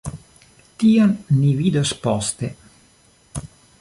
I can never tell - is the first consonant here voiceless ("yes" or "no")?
yes